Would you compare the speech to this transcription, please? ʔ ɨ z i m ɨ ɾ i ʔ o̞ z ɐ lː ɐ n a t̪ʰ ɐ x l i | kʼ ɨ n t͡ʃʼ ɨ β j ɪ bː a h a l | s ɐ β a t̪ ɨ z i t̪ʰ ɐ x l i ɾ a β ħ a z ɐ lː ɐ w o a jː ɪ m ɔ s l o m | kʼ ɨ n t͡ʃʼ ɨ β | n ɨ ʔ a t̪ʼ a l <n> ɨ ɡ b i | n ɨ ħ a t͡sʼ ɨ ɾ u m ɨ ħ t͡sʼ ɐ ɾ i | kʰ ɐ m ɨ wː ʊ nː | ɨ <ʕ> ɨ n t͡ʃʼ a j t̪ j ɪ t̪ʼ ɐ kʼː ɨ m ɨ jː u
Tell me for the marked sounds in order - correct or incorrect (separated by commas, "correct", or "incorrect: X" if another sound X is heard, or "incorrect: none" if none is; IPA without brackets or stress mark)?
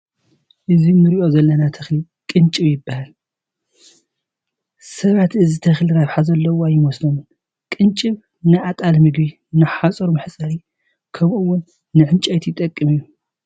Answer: incorrect: m, correct